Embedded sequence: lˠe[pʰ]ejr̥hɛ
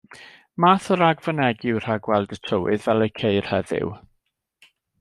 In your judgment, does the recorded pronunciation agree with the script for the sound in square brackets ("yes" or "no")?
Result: no